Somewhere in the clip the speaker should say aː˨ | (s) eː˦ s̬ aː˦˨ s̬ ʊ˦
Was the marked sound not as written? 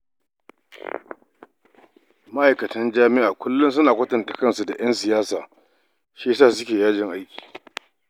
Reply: yes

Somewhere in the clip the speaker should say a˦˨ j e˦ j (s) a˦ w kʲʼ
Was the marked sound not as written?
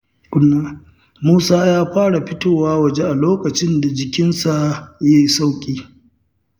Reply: no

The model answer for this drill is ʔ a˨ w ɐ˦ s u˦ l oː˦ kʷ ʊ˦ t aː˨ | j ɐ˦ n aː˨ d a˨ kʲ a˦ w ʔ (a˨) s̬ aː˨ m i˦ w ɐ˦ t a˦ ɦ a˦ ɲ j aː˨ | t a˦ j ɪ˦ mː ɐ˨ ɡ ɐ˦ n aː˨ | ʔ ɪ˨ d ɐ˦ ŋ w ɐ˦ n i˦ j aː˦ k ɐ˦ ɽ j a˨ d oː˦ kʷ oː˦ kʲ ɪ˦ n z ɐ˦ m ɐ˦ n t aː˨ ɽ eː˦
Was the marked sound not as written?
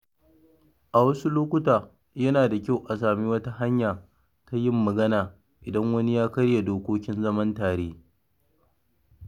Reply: no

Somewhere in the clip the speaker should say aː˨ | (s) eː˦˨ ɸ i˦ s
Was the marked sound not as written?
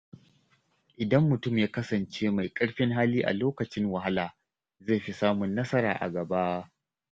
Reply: yes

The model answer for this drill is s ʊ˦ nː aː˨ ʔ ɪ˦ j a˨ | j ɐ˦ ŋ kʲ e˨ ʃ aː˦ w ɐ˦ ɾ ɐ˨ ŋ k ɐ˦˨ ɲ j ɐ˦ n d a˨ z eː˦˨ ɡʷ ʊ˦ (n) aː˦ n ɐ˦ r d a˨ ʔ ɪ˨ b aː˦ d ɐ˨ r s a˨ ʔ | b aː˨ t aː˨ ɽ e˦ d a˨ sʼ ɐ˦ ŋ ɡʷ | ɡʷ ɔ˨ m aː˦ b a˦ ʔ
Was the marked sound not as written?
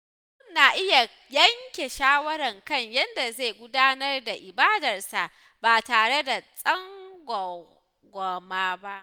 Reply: yes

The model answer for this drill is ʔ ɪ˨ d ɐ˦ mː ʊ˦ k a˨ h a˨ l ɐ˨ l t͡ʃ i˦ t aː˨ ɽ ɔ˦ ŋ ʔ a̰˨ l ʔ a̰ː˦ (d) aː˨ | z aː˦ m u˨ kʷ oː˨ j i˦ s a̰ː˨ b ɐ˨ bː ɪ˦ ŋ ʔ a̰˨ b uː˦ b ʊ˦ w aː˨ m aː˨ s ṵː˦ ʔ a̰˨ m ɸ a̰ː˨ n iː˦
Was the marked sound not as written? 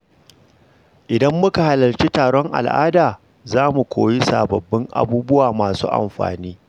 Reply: no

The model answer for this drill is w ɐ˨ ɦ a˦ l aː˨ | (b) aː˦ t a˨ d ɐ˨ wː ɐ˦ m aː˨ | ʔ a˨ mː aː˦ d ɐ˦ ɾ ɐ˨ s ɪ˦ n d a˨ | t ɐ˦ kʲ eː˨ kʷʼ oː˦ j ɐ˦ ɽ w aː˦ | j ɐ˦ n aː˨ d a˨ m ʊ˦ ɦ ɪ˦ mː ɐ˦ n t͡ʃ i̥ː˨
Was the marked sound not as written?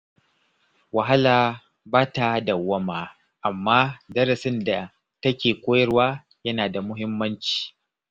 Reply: no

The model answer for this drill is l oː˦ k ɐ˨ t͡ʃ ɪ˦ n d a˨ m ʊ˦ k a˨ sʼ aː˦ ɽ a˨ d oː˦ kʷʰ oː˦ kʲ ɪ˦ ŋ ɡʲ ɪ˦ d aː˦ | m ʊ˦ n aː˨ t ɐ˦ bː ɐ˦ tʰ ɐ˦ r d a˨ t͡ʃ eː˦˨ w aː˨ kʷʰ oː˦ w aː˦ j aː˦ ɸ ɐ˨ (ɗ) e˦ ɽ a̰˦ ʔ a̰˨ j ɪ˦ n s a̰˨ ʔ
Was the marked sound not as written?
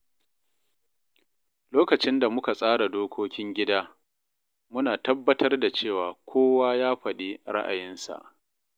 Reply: no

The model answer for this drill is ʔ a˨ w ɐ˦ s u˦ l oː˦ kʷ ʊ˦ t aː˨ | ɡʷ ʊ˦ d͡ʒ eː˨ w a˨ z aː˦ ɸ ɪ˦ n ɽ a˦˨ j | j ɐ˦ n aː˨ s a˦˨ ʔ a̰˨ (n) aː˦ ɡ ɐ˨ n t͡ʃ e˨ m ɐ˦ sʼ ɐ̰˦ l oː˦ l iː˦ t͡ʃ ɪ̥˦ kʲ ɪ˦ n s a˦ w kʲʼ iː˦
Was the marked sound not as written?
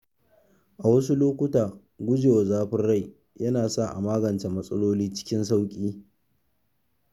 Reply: yes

